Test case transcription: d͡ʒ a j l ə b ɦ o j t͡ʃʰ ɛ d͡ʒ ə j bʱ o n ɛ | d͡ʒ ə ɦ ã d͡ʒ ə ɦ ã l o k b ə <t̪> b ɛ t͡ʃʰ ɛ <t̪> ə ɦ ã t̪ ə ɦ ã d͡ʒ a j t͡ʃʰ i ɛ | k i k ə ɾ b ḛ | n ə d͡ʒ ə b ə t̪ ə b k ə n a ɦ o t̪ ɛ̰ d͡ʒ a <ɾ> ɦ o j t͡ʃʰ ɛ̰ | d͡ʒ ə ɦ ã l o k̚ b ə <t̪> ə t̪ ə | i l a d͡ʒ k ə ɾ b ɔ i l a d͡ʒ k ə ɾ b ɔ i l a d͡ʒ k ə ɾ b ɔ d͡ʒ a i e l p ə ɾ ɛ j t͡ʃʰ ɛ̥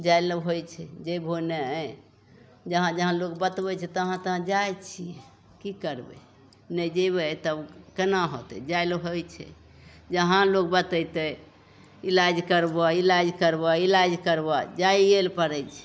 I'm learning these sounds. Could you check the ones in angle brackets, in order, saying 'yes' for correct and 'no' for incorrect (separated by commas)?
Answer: yes, yes, no, yes